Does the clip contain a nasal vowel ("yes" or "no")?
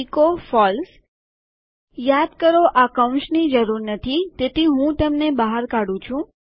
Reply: yes